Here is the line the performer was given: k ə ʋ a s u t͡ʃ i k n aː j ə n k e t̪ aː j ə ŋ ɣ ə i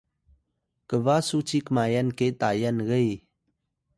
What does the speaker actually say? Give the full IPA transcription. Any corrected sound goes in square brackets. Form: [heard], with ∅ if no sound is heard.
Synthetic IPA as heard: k ə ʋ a s u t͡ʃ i k [m] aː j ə n k e t̪ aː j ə [n] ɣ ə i